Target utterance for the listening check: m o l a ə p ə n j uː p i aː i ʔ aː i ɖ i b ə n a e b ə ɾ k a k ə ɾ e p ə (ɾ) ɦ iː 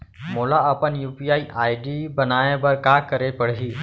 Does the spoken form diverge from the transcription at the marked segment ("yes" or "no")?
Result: yes